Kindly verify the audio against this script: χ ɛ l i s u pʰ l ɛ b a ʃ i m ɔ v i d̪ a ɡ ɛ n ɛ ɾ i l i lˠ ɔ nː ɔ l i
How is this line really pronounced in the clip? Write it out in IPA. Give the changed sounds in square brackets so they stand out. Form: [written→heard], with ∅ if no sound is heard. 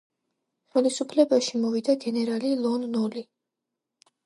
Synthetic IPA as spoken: χ ɛ l i s u pʰ l ɛ b a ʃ i m ɔ v i d̪ a ɡ ɛ n ɛ ɾ [i→a] l i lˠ ɔ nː ɔ l i